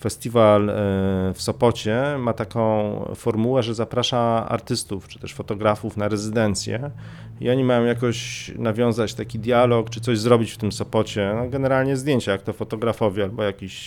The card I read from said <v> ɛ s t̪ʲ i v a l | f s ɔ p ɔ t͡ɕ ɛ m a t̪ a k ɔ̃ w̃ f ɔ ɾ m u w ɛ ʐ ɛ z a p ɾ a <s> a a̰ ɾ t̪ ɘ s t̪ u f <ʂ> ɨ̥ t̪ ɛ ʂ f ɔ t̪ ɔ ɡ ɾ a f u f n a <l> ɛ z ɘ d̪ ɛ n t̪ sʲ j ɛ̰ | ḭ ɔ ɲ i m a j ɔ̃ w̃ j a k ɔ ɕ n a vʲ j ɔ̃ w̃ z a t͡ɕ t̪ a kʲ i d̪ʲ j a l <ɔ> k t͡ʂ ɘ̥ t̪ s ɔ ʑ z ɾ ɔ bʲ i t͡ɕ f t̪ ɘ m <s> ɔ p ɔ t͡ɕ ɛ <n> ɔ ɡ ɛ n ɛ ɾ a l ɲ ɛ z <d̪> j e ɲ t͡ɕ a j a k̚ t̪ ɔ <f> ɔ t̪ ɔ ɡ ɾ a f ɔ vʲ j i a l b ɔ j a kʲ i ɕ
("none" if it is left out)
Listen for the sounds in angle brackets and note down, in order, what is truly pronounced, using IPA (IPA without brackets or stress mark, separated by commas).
f, ʂ, t͡ʂ, ɾ, ɔ, s, n, d̪, f